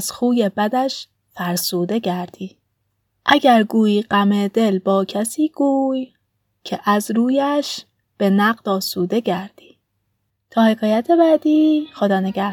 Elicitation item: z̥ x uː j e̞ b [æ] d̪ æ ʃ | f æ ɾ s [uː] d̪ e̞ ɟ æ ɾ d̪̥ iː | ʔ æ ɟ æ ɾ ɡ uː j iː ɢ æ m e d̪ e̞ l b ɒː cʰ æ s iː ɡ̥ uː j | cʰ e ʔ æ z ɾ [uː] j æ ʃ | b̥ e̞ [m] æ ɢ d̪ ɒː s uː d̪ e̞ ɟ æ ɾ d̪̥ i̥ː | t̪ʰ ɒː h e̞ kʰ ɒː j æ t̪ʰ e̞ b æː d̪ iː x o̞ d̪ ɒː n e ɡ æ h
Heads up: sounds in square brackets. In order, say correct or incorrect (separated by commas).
correct, correct, correct, incorrect